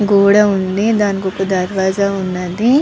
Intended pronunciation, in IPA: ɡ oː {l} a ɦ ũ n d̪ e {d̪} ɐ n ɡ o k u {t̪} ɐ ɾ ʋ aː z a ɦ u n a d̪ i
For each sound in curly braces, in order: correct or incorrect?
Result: incorrect, correct, incorrect

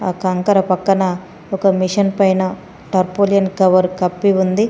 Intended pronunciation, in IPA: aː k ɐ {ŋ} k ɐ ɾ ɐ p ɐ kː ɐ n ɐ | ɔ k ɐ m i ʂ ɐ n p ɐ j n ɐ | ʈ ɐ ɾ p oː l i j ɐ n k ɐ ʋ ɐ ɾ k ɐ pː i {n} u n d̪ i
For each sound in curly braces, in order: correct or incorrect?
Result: correct, incorrect

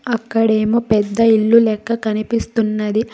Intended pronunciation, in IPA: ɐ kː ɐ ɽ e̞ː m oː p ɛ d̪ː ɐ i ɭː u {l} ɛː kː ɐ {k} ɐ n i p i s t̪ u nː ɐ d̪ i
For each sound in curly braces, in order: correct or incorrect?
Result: correct, correct

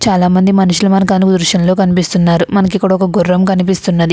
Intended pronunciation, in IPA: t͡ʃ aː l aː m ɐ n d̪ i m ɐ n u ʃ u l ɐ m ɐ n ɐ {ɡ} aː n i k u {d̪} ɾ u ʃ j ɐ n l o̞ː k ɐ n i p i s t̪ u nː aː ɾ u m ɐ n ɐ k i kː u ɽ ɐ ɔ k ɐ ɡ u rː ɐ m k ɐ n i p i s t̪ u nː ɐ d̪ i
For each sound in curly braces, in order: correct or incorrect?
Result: incorrect, correct

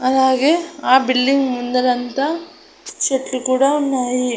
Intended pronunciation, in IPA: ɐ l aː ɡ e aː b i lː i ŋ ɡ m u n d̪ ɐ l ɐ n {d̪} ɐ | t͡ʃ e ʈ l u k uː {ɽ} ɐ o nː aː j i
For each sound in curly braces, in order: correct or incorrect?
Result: incorrect, correct

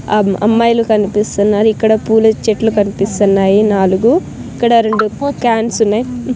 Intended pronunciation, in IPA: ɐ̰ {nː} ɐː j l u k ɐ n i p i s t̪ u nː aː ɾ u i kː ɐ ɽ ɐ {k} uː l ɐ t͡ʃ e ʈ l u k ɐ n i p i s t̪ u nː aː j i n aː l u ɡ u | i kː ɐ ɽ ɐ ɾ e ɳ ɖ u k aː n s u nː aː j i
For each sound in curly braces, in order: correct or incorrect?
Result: incorrect, incorrect

